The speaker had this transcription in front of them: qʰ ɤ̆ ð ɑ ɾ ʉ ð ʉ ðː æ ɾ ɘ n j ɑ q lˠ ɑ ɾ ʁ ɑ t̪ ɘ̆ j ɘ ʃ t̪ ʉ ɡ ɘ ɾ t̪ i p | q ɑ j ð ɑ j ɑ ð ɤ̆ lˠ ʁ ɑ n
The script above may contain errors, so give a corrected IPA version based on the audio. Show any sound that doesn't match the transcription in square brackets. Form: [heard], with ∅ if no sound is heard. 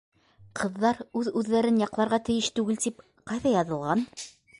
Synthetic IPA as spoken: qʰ ɤ̆ [ðː] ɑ ɾ ʉ ð ʉ ðː æ ɾ ɘ n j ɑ q lˠ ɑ ɾ ʁ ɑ t̪ ɘ̆ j ɘ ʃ t̪ ʉ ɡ ɘ [l] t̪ i p | q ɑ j ð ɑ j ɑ ð ɤ̆ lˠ ʁ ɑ n